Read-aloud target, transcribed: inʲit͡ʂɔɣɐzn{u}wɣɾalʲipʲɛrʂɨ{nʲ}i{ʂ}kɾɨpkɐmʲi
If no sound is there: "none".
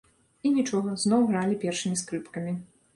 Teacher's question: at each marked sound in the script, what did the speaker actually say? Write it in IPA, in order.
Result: ɔ, mʲ, s

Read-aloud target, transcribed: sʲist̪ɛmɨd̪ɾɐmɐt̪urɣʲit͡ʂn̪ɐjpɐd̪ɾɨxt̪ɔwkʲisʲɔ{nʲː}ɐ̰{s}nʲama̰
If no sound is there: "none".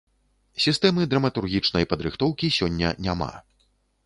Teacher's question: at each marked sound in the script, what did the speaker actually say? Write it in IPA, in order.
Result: nʲː, none

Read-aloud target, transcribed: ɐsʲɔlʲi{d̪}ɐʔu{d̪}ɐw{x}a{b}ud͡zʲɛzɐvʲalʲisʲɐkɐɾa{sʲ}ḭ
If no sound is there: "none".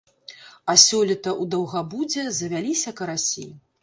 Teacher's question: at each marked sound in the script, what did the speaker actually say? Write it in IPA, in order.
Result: t̪, d̪, ɣ, b, sʲ

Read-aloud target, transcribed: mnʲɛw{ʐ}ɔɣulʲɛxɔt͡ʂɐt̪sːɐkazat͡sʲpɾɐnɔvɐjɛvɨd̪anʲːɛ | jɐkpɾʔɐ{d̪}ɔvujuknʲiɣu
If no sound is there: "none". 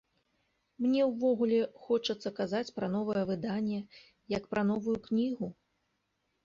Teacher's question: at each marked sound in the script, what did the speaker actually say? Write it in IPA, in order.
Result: v, n̪

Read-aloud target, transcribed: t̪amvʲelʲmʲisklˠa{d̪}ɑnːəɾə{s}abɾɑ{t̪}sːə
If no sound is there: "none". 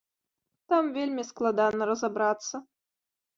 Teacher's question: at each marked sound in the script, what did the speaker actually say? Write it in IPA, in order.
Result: d̪, z, t̪

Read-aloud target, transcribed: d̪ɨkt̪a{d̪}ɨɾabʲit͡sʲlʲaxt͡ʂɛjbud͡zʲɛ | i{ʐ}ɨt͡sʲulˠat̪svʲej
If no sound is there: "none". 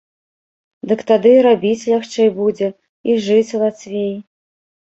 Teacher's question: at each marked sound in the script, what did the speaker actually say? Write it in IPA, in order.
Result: d̪, ʐ

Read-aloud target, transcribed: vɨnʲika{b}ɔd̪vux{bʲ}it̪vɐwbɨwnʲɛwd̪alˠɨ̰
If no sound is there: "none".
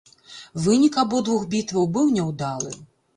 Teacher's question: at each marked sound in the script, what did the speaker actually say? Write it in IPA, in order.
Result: b, bʲ

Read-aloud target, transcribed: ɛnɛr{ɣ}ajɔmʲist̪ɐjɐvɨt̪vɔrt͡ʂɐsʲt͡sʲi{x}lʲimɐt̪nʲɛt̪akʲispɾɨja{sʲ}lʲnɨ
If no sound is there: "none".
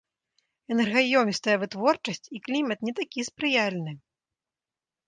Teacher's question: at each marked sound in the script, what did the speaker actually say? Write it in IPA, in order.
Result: ɣ, k, none

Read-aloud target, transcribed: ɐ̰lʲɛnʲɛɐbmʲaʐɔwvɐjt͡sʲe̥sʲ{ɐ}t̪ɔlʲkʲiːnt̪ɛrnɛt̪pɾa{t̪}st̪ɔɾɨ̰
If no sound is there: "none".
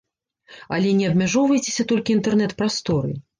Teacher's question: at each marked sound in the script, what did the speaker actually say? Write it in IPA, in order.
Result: ɐ, none

